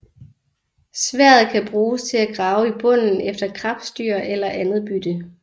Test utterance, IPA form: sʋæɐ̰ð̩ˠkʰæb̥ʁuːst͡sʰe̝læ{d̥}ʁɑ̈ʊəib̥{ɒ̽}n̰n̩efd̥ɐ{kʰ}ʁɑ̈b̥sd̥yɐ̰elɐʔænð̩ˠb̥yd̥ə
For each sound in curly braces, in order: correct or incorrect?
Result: incorrect: ɡ̥, incorrect: ɔ̽, correct

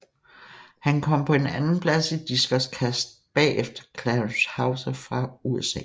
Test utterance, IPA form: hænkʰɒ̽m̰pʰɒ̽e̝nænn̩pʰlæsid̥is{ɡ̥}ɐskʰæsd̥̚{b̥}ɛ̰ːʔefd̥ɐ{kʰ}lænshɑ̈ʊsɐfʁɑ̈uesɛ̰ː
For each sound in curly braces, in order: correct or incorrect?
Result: correct, correct, correct

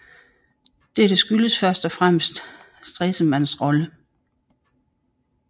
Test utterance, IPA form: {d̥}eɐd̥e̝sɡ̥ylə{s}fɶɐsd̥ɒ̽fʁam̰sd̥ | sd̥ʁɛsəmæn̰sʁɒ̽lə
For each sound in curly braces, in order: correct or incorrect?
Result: correct, correct

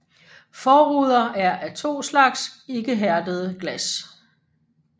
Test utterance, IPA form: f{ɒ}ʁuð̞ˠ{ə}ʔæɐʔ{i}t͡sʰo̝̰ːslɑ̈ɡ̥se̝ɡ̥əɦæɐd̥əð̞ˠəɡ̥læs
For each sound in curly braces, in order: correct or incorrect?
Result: incorrect: ɒː, incorrect: ɐ, incorrect: æ

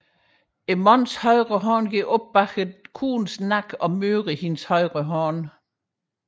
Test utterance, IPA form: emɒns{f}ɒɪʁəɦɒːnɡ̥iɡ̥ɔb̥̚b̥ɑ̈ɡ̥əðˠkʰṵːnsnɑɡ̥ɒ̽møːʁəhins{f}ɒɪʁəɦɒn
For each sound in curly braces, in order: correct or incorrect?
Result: incorrect: h, incorrect: h

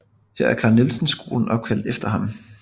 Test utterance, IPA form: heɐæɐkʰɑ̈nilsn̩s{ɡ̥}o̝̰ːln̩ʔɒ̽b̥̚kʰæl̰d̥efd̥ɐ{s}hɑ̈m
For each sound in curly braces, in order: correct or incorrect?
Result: correct, incorrect: none

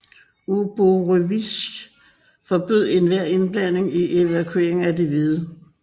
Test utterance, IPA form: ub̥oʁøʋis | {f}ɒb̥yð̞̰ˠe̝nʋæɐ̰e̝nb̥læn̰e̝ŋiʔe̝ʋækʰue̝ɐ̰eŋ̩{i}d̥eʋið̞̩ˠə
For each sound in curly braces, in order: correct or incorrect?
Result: correct, incorrect: æ

